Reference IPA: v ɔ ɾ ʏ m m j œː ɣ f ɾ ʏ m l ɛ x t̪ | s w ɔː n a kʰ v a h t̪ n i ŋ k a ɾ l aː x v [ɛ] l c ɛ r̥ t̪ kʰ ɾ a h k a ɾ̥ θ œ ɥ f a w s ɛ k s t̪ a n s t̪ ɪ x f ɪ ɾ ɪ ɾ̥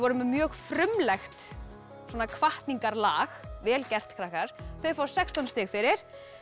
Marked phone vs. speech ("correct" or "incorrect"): incorrect